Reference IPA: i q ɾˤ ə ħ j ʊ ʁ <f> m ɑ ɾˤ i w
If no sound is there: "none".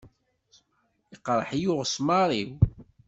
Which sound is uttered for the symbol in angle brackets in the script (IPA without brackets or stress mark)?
s